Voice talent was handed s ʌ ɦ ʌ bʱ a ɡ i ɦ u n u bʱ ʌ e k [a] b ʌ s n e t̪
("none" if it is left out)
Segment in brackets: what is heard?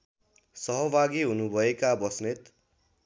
a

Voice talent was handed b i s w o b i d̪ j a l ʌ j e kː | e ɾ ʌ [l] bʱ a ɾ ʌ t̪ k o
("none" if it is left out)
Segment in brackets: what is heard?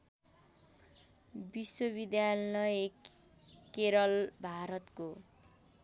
l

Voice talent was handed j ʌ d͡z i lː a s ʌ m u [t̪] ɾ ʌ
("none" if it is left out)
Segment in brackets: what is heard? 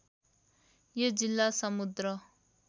d̪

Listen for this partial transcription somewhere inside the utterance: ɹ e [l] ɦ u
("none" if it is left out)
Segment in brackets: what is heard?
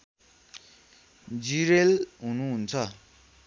l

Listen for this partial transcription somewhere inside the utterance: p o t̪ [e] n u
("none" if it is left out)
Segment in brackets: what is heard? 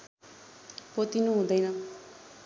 i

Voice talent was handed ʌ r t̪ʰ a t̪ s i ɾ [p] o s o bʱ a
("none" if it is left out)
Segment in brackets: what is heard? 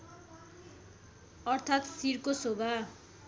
k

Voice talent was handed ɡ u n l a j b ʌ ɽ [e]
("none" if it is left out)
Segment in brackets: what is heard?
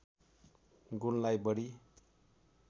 i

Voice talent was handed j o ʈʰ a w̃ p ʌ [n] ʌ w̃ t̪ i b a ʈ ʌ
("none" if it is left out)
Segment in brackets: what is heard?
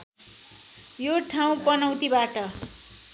n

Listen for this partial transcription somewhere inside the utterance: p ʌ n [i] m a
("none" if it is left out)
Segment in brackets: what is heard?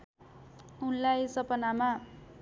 a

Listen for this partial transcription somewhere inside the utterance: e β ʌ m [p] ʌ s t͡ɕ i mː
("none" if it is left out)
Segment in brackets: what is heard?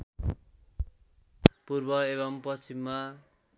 p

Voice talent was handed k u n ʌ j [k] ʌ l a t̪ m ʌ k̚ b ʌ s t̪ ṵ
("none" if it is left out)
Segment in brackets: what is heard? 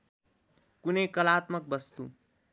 k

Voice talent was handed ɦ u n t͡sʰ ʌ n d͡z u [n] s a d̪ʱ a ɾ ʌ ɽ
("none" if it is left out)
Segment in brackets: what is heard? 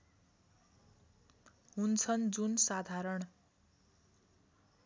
n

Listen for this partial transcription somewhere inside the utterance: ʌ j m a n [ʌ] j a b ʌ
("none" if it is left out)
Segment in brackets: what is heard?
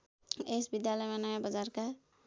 ʌ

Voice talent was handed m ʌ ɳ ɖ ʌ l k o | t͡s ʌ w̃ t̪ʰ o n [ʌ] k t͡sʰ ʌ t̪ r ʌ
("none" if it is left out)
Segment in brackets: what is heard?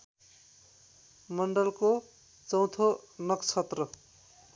ʌ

